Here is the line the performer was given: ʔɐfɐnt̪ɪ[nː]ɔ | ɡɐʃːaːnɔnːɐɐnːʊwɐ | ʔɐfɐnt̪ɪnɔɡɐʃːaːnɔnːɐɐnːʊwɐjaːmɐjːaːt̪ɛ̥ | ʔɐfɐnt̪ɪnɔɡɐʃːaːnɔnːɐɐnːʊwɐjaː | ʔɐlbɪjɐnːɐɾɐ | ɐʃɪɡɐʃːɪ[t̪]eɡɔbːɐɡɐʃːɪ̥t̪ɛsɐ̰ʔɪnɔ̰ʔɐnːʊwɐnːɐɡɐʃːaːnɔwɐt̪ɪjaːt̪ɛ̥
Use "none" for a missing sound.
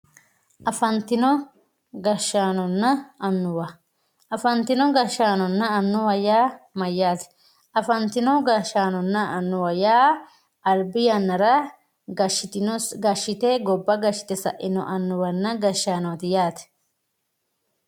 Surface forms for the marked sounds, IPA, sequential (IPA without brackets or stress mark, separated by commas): n, t̪